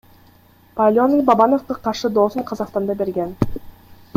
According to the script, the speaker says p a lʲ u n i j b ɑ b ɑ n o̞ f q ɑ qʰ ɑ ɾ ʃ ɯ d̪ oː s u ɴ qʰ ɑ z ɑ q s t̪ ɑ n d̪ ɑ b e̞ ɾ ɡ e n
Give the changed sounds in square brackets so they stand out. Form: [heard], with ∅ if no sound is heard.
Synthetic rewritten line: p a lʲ [o] n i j b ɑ b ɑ n o̞ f q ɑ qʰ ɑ ɾ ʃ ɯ d̪ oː s u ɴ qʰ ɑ z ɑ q s t̪ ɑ n d̪ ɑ b e̞ ɾ ɡ e n